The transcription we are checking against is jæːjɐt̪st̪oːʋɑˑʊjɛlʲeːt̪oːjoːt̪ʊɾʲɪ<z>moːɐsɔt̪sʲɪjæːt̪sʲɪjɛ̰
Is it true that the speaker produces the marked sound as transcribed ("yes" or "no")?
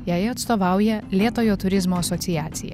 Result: yes